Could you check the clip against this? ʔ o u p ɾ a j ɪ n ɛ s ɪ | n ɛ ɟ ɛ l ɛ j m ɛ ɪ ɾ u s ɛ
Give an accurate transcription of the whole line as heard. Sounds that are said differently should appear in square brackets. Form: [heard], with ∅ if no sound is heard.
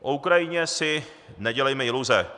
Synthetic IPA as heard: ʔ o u [k] ɾ a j ɪ [ɲ] ɛ s ɪ | n ɛ ɟ ɛ l ɛ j m ɛ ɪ [l] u [z] ɛ